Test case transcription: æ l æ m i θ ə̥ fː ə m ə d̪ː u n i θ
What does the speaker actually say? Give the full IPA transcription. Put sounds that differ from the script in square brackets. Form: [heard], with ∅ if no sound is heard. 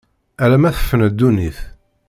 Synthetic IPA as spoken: æ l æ m [æ] θ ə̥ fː ə [n] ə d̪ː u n i θ